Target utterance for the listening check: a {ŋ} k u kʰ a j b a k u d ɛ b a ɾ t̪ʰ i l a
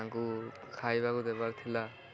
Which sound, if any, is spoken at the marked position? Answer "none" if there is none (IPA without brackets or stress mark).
ŋ